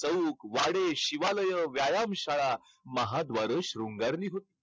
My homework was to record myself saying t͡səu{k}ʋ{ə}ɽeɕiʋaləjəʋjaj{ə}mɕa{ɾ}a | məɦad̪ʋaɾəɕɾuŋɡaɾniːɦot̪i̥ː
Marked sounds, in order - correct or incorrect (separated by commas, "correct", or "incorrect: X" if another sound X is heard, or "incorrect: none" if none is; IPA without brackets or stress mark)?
correct, incorrect: a, incorrect: a, incorrect: ɭ